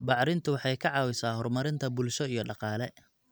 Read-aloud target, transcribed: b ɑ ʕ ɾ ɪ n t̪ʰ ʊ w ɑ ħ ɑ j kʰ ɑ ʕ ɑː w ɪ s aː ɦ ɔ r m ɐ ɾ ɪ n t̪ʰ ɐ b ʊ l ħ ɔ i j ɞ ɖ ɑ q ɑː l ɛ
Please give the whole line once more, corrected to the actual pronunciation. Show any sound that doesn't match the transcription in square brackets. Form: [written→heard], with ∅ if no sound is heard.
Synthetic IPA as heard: b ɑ ʕ ɾ ɪ n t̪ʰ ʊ w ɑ ħ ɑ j kʰ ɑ ʕ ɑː w ɪ s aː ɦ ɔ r m ɐ ɾ ɪ n t̪ʰ ɐ b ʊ l [ħ→ʃ] ɔ i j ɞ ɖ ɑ q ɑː l ɛ